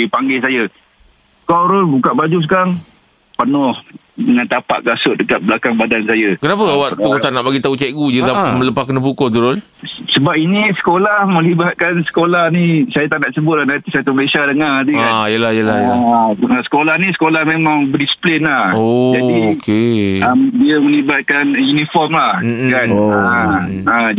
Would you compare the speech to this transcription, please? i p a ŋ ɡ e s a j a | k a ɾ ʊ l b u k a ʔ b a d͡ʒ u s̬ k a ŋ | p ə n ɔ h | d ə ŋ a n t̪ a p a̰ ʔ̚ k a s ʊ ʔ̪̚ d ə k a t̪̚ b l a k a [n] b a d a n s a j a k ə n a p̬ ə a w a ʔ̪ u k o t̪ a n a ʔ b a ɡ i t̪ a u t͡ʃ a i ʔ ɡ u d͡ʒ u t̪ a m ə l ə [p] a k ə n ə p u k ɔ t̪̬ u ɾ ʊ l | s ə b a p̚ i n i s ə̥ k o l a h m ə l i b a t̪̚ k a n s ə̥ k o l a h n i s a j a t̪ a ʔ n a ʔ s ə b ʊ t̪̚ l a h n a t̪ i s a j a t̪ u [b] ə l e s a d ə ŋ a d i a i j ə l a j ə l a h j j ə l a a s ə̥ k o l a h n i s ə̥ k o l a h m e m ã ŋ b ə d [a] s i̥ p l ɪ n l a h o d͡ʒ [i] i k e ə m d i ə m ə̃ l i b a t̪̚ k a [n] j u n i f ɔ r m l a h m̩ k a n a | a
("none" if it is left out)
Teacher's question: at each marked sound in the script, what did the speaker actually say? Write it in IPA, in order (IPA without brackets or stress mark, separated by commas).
ŋ, p, m, i, a, n